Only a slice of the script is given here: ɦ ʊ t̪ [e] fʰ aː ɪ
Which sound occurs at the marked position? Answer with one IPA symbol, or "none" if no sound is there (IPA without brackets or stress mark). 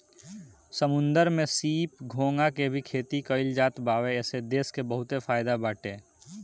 e